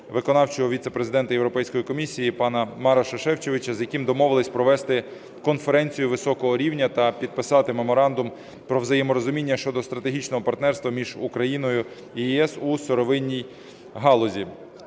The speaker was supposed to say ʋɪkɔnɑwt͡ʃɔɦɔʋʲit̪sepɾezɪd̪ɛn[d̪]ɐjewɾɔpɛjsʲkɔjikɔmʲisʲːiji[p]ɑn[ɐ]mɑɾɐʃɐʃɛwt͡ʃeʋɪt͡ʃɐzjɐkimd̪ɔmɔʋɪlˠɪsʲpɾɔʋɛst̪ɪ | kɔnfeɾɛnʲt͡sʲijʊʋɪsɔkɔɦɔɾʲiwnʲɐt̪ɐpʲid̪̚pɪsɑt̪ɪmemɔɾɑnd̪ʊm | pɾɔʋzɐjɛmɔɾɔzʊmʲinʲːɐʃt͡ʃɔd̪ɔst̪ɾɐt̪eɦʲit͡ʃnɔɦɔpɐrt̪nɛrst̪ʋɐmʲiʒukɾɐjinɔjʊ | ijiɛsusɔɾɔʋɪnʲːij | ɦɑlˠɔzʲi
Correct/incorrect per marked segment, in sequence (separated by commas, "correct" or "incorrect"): incorrect, correct, correct